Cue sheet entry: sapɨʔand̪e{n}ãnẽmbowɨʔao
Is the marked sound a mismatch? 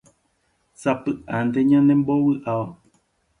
yes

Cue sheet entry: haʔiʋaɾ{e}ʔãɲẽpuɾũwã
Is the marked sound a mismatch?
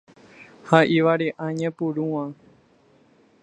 no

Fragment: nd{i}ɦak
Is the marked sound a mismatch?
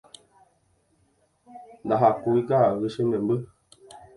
yes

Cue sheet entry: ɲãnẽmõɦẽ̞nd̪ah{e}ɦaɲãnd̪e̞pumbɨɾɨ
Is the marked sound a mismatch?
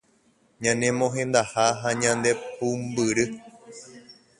yes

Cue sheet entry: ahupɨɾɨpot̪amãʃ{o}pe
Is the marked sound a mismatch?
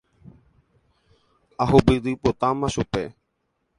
yes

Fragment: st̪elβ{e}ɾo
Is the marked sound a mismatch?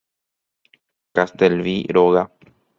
yes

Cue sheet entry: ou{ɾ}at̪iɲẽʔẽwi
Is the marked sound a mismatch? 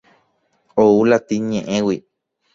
yes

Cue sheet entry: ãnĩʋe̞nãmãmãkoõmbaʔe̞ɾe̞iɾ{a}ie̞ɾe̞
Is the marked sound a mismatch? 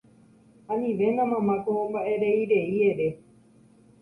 yes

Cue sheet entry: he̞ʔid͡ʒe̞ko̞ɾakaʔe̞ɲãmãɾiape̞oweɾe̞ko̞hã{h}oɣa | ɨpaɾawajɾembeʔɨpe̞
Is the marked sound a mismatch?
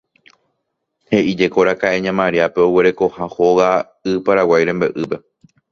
no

